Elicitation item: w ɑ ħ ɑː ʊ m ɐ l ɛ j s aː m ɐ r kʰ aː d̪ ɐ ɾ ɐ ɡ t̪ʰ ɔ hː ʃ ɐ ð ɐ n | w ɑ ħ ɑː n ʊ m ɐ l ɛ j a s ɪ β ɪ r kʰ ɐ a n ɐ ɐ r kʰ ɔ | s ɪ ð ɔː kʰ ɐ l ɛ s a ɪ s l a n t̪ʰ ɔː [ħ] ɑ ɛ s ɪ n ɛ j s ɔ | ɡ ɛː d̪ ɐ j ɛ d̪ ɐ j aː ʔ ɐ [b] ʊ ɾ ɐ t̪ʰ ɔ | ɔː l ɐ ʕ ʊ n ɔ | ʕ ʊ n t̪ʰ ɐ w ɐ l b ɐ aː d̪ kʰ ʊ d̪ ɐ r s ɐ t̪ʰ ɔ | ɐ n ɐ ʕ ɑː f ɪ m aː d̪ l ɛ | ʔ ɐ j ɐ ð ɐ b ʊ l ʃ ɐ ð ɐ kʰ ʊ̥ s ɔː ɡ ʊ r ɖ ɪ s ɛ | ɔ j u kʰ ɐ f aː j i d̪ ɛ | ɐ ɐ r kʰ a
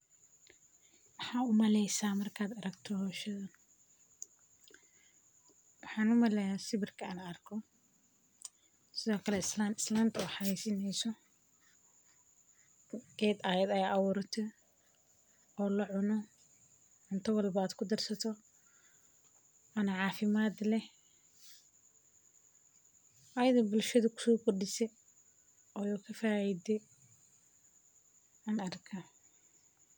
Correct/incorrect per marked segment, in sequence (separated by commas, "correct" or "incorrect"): correct, incorrect